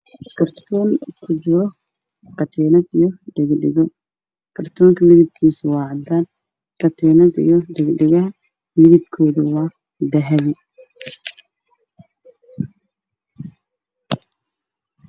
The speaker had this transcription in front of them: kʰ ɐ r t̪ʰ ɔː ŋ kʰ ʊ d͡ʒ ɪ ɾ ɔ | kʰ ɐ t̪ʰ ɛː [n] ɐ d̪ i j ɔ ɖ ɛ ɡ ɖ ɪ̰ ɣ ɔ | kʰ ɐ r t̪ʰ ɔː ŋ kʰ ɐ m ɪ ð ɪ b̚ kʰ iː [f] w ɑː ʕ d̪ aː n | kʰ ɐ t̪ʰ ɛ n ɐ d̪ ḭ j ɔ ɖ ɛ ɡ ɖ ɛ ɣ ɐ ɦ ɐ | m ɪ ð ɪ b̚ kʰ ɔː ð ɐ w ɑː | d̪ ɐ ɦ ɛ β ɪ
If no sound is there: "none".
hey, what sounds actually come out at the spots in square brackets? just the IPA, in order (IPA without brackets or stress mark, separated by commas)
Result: n, s